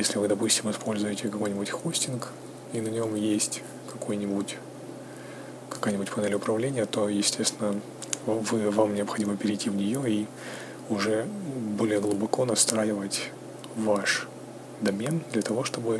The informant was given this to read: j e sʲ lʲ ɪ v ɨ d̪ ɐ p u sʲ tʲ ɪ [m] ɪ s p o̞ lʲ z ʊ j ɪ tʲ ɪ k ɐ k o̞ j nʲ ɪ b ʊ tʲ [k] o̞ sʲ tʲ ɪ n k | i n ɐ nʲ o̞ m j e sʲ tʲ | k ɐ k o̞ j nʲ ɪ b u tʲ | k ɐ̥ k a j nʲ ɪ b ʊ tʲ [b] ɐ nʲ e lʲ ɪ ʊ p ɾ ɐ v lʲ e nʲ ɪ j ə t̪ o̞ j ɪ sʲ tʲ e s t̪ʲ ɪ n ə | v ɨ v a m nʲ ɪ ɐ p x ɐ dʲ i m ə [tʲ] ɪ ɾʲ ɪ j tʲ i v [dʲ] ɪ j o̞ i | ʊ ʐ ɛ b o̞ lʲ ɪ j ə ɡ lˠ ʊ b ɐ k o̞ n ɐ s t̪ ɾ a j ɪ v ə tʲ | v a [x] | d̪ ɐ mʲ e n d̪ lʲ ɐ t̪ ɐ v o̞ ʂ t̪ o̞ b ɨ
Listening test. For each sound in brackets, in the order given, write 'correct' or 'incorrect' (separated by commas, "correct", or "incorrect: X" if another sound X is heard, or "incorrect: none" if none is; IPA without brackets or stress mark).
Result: correct, incorrect: x, incorrect: p, incorrect: pʲ, incorrect: nʲ, incorrect: ʂ